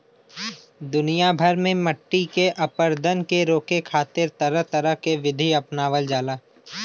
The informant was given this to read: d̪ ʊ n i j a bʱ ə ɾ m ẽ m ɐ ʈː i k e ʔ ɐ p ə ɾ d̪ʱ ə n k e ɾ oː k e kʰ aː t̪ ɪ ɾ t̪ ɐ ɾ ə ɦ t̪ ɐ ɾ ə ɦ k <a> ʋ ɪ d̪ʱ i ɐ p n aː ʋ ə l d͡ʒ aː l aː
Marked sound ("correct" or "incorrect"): incorrect